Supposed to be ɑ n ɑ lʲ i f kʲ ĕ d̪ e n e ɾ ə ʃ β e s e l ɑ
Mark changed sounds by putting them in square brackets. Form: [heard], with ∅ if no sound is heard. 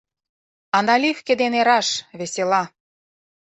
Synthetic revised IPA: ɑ n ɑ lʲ i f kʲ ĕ d̪ e n e ɾ [ɑ] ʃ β e s e l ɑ

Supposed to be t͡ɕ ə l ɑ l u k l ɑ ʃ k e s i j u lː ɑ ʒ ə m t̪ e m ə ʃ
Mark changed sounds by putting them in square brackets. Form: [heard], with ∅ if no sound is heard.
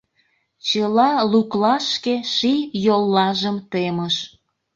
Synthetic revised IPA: t͡ɕ ə l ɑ l u k l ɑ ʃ k e [ʃ] i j [o] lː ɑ ʒ ə m t̪ e m ə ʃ

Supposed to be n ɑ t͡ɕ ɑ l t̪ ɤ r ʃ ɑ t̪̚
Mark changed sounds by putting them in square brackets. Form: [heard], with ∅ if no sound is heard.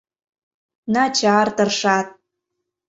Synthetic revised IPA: n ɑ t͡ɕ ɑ [r] t̪ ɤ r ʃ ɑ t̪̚

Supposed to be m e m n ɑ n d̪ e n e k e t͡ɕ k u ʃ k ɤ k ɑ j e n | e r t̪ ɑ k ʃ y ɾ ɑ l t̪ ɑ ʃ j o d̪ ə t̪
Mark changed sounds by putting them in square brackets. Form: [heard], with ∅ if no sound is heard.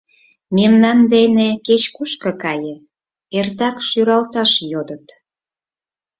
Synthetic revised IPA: m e m n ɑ n d̪ e n e k e t͡ɕ k u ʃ k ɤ k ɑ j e [∅] | e r t̪ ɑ k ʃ y ɾ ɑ l t̪ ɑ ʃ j o d̪ ə t̪

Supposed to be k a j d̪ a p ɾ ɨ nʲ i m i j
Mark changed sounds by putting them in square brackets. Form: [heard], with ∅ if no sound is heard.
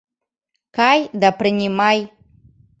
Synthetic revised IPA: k a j d̪ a p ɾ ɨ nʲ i m [a] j

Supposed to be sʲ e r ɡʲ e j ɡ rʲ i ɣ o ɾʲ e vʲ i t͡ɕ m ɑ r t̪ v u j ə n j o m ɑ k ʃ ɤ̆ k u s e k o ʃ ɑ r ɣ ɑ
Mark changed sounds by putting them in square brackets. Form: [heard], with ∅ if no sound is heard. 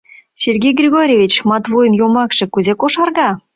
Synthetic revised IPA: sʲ e r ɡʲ e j ɡ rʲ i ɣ o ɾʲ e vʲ i t͡ɕ m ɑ [∅] t̪ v [o] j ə n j o m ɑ k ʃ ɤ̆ k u [z] e k o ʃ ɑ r ɣ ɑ

